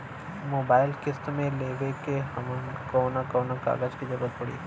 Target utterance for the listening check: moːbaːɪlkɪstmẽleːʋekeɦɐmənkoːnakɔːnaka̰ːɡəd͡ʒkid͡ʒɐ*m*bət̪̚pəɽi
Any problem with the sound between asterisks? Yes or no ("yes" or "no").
yes